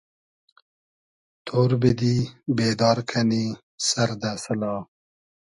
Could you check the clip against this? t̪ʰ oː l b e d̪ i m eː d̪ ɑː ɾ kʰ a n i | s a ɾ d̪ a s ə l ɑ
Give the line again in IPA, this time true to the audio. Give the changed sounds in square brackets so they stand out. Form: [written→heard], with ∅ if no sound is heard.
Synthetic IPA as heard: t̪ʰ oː [l→ɾ] b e d̪ i [m→b] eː d̪ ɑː ɾ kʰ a n i | s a ɾ d̪ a s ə l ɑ